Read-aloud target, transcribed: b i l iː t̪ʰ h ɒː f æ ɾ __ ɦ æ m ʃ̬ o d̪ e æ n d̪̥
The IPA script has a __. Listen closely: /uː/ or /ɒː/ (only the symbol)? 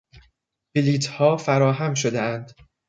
ɒː